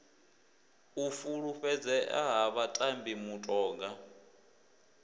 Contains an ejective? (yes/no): yes